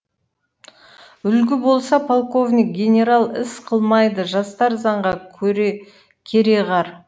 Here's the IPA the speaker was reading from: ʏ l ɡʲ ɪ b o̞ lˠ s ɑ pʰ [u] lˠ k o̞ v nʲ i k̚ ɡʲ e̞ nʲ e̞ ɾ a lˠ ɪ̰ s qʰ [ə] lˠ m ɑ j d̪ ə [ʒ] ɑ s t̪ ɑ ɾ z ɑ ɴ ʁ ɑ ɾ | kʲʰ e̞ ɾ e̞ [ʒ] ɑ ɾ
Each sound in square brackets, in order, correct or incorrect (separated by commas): incorrect, correct, correct, incorrect